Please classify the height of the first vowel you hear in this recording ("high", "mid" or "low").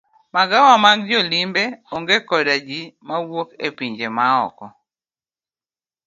low